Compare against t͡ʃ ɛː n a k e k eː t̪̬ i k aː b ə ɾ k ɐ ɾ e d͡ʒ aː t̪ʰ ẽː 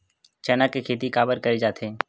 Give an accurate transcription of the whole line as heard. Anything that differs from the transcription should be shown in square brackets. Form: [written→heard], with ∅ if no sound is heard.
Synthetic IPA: t͡ʃ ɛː n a k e [k→kʰ] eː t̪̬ i k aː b ə ɾ k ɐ ɾ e d͡ʒ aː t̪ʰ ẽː